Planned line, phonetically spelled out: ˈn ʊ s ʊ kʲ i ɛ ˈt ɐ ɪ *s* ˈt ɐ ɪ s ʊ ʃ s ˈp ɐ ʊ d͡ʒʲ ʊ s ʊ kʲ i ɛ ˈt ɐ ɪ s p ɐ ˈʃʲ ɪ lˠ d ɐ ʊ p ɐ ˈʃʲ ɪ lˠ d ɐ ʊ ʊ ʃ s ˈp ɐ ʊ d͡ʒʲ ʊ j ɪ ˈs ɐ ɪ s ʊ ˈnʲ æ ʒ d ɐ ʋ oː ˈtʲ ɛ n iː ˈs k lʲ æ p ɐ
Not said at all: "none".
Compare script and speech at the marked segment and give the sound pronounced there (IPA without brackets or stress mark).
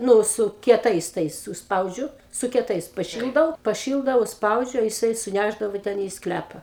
s